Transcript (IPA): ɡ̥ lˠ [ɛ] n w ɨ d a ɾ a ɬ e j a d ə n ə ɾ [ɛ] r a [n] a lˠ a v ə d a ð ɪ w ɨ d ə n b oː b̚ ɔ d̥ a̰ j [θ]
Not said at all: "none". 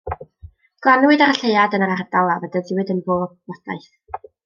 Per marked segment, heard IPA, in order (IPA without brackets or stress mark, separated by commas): a, a, d, θ